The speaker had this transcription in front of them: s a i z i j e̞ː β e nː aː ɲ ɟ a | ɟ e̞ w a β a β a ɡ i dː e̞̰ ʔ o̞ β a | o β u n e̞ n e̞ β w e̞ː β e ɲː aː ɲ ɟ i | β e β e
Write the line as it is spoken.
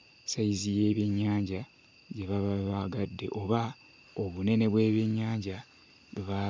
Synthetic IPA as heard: s a i z i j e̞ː β e ɲː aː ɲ ɟ a | ɟ e̞ β a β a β a ɡ a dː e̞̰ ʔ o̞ β a | o β u n e̞ n e̞ β w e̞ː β e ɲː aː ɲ ɟ a | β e β a